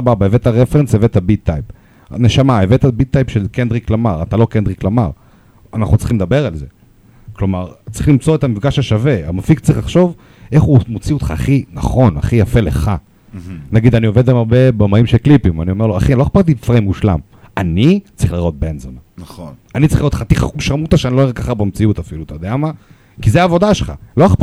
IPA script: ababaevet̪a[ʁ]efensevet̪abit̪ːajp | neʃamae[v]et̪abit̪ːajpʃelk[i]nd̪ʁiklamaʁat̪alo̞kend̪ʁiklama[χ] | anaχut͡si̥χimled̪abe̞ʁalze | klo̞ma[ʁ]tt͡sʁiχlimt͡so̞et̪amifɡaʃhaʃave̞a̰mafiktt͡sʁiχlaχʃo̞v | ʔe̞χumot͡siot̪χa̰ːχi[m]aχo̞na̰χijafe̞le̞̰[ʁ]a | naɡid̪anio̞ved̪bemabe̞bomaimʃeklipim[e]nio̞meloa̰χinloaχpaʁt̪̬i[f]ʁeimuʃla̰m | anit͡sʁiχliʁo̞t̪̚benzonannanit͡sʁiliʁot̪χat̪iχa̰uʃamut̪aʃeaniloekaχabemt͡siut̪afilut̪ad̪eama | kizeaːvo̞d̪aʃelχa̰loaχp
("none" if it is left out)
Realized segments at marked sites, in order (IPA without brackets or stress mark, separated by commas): ʁ, v, e, ʁ, ʁ, n, χ, a, f